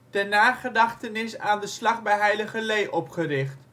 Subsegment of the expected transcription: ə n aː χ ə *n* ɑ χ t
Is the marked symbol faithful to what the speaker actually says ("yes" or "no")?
no